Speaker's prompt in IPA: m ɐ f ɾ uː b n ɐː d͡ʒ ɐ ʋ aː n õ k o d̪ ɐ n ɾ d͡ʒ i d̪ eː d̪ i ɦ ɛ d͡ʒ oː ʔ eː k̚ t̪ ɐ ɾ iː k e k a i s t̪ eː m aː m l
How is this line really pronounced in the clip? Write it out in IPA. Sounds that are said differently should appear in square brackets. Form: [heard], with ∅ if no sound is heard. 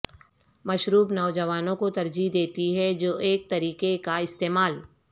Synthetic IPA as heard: m ɐ [ʃ] ɾ uː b n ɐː d͡ʒ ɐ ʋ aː n õ k o [t̪] ɐ [∅] ɾ d͡ʒ i d̪ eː [t̪] i ɦ ɛ d͡ʒ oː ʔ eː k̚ t̪ ɐ ɾ iː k e k a [ɪ] s t̪ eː m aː [∅] l